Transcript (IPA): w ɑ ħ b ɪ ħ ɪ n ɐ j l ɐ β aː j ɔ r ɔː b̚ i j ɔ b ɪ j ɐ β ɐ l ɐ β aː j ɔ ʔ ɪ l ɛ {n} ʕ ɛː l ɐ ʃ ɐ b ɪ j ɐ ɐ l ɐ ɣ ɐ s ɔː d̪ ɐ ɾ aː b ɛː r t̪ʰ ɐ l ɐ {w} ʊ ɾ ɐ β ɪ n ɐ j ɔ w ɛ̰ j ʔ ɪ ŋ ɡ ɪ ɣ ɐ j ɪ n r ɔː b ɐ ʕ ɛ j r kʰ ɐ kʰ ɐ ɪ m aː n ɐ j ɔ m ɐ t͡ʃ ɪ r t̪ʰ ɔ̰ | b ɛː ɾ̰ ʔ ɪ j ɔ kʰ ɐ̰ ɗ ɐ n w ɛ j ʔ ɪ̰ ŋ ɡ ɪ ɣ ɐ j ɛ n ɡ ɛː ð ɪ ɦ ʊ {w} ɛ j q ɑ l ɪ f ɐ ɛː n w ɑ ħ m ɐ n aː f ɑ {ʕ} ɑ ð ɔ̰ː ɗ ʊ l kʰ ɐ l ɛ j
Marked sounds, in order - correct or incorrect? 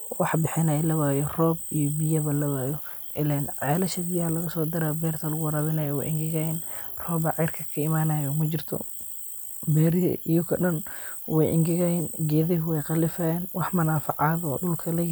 correct, incorrect, correct, correct

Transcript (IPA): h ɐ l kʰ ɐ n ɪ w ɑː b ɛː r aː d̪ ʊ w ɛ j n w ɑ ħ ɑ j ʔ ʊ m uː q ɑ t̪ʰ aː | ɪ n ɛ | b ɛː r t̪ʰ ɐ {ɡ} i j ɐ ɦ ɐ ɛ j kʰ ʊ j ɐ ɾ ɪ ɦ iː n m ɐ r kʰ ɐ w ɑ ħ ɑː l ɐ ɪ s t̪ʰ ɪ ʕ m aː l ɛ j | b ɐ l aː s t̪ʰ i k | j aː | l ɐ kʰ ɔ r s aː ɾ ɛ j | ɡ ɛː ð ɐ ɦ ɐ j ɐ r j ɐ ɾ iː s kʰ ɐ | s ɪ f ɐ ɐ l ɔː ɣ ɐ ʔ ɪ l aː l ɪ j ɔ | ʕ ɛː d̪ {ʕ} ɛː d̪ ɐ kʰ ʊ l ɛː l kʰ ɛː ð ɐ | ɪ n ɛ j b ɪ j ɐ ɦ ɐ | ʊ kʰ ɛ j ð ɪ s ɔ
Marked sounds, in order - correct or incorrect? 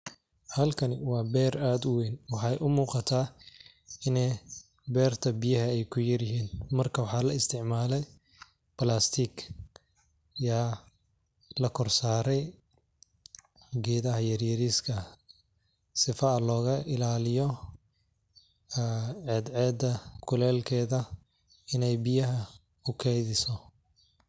incorrect, correct

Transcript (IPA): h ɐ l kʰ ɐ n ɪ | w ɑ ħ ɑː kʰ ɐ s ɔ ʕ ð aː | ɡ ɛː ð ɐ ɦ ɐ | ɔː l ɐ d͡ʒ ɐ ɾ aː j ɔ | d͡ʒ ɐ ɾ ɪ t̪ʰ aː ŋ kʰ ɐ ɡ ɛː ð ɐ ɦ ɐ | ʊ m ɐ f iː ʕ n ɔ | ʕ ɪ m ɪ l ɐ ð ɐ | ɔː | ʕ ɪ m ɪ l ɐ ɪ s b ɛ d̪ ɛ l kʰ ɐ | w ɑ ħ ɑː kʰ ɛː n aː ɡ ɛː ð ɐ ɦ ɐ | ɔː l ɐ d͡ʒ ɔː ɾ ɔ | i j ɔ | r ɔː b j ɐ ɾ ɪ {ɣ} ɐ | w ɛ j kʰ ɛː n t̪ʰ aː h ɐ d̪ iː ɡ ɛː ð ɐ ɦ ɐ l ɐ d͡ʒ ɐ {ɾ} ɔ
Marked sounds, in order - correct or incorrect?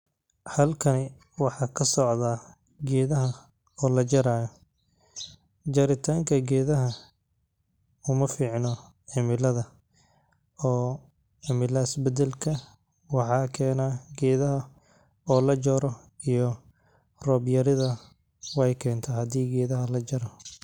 incorrect, correct

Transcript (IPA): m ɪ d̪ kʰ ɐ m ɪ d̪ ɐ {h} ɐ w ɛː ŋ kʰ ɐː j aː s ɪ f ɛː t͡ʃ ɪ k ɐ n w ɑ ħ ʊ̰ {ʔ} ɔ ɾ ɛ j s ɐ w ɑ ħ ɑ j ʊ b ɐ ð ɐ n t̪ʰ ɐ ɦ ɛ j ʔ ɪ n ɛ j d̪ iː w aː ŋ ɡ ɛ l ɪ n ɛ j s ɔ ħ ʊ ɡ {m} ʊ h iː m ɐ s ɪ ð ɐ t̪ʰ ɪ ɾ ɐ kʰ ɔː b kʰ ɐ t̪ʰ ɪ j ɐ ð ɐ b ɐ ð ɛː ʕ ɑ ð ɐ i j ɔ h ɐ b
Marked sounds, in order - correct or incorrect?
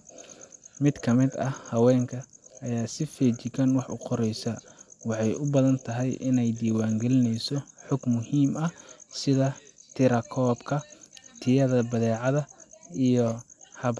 correct, incorrect, correct

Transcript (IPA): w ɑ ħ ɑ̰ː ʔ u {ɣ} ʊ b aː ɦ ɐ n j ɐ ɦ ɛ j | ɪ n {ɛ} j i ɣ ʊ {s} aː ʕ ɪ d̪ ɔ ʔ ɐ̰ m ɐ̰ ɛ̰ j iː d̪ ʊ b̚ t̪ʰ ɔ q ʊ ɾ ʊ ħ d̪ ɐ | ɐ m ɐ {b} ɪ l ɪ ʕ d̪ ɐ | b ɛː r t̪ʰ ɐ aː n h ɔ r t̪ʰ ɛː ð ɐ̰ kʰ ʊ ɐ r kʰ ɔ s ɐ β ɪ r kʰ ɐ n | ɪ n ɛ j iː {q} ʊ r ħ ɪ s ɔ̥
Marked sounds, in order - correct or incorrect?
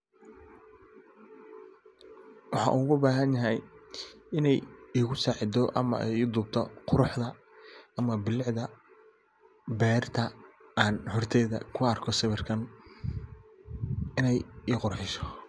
correct, correct, correct, correct, correct

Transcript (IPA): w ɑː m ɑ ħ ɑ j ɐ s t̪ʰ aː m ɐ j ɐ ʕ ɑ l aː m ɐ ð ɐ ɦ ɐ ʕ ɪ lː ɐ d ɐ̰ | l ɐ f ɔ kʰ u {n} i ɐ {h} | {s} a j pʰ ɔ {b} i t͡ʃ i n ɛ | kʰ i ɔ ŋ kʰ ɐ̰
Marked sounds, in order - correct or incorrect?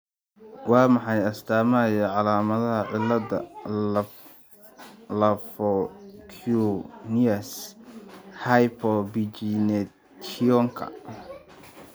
correct, incorrect, incorrect, correct

